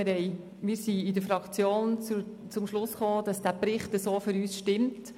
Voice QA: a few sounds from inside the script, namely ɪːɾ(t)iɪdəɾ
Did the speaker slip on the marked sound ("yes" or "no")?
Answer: yes